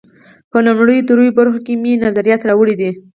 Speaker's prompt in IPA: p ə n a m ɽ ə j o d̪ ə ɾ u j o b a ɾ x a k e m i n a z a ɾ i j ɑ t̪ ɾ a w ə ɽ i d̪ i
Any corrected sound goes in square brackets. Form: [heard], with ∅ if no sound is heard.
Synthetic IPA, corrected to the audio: p ə n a m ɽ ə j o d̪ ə ɾ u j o b a ɾ x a k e m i n a z a ɾ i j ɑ t̪ ɾ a w ə ɽ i d̪ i